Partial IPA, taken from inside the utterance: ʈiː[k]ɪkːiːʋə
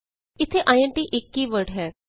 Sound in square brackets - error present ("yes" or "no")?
yes